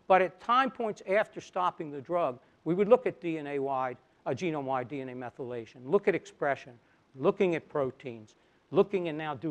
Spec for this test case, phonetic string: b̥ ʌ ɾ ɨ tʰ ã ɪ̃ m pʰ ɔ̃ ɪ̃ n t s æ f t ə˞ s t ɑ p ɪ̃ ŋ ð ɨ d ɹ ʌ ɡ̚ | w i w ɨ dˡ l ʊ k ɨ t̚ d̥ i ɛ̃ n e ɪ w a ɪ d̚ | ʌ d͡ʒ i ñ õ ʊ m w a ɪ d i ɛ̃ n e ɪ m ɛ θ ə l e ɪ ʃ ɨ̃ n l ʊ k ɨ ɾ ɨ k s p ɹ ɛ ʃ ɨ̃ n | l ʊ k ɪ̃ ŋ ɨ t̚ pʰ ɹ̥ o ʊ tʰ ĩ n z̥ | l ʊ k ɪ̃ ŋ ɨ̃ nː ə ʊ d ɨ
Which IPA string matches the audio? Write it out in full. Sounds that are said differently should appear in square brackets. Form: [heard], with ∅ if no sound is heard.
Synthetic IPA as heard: b̥ ʌ ɾ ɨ tʰ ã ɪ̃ m pʰ ɔ̃ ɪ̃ n t s æ f t ə˞ s t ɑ p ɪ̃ ŋ ð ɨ d ɹ ʌ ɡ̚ | w i w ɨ dˡ l ʊ k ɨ t̚ d̥ i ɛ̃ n e ɪ w a ɪ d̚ | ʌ d͡ʒ i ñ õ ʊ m w a ɪ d i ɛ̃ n e ɪ m ɛ θ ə l e ɪ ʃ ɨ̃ n l ʊ k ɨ ɾ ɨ k s p ɹ ɛ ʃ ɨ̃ n | l ʊ k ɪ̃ ŋ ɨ t̚ pʰ ɹ̥ o ʊ tʰ ĩ n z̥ | l ʊ k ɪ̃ ŋ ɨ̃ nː [a] ʊ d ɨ